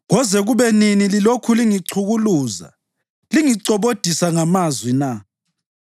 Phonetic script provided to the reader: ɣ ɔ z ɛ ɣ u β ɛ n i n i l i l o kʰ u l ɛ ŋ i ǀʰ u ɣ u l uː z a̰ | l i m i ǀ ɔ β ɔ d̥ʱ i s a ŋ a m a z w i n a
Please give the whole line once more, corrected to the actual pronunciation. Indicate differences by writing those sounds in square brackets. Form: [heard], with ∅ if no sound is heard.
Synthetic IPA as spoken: ɣ ɔ z ɛ ɣ u β ɛ n i n i l i l o kʰ u l [i] ŋ i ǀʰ u ɣ u l uː z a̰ | l i [ŋ] i ǀ ɔ β [o] d̥ʱ i s a ŋ a m a z w i n a